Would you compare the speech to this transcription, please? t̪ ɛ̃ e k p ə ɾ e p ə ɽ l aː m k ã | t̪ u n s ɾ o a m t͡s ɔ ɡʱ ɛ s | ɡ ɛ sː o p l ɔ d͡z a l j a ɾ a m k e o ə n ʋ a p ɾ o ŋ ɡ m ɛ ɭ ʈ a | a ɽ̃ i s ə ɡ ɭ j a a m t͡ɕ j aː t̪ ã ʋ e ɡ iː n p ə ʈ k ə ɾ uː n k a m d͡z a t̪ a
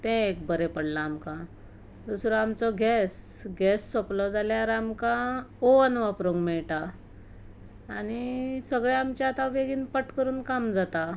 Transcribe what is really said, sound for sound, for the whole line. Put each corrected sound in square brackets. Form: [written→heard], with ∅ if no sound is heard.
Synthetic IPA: t̪ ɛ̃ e k [p→b] ə ɾ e p ə ɽ l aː m k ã | [t̪→d̪] u [n→∅] s ɾ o a m t͡s ɔ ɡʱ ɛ s | ɡ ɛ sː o p l ɔ d͡z a l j a ɾ a m k [e→a] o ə n ʋ a p ɾ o ŋ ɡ m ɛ ɭ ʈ a | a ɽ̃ i s ə ɡ ɭ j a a m t͡ɕ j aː t̪ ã ʋ e ɡ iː n p ə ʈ k ə ɾ uː n k a m d͡z a t̪ a